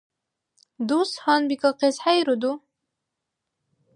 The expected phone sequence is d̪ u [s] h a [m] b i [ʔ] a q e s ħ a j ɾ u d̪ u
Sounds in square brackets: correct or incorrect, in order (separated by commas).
correct, incorrect, incorrect